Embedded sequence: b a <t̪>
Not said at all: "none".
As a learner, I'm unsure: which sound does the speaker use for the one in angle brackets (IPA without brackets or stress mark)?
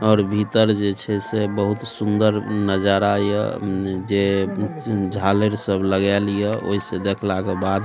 d̪